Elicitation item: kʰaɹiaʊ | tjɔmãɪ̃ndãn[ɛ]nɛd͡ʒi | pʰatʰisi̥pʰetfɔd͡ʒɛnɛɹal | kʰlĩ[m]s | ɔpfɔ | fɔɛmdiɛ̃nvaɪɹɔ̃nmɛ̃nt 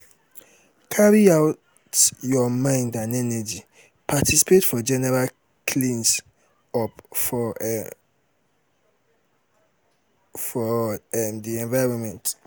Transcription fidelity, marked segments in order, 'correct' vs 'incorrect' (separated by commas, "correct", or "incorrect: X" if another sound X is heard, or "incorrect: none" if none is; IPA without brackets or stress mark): correct, incorrect: n